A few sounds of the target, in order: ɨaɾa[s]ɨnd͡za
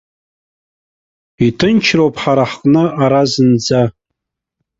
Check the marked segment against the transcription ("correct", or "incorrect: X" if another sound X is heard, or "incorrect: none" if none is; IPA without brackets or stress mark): incorrect: z